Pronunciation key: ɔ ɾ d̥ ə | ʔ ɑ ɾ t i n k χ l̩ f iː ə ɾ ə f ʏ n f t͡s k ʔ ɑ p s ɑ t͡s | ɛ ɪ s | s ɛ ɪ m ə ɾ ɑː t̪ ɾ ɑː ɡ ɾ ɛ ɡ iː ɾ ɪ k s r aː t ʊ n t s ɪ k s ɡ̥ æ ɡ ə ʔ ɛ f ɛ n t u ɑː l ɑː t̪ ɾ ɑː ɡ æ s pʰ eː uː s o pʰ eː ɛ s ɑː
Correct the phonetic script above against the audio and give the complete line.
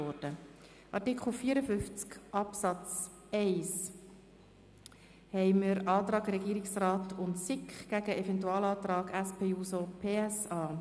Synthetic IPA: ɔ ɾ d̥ ə | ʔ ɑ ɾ t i k χ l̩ f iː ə ɾ ə f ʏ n f t͡s k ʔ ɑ p s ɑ t͡s | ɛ ɪ s | h ɛ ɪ m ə ɾ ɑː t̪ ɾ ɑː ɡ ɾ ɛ ɡ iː ɾ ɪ k s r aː t ʊ n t s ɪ k χ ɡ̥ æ ɡ ə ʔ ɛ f ɛ n t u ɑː l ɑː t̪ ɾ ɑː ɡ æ s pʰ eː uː s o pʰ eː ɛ s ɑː